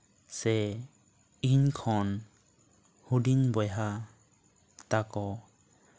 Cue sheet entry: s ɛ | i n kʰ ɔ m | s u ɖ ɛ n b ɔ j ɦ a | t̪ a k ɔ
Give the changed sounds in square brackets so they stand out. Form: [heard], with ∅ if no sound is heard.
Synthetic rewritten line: s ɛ | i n kʰ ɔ [n] | [h] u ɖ [i] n b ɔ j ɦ a | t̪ a k ɔ